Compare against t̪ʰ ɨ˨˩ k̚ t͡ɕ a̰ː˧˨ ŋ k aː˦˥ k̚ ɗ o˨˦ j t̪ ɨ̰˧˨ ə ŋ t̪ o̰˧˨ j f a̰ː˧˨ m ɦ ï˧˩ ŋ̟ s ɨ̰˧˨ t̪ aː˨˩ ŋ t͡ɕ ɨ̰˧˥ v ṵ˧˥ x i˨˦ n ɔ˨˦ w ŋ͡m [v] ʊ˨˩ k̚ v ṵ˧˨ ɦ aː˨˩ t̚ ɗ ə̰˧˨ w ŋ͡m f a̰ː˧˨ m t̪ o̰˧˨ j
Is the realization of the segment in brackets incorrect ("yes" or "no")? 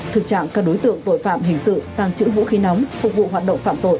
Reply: yes